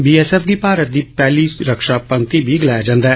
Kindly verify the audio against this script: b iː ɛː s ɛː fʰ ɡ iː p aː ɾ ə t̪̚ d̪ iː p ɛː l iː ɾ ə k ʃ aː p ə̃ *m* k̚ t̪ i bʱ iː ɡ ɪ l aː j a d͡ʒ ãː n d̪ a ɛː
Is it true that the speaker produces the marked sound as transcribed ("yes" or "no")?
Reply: no